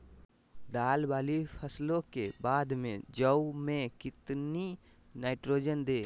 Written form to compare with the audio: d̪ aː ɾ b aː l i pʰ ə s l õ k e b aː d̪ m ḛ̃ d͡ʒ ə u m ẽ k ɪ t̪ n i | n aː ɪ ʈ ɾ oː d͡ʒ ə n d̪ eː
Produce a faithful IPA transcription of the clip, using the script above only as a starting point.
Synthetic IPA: d̪ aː l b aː l i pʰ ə s l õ k e b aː d̪ m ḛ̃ d͡ʒ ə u m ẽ k ɪ t̪ n i | n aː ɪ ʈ ɾ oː d͡ʒ ə n d̪ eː